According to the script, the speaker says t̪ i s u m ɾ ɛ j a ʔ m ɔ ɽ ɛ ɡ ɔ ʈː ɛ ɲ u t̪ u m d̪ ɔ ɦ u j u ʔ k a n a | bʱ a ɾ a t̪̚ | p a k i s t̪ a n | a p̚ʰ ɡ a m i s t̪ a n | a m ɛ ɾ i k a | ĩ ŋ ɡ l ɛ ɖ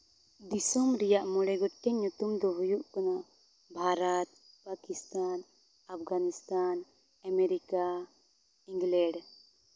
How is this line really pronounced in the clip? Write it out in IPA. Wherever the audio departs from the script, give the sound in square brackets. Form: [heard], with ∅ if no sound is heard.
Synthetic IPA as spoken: [d̪] i s [ɔ] m ɾ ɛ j a ʔ m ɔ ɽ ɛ ɡ ɔ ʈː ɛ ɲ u t̪ u m d̪ ɔ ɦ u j u ʔ k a n a | bʱ a ɾ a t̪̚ | p a k i s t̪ a n | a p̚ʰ ɡ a [n] i s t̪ a n | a m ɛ ɾ i k a | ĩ ŋ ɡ l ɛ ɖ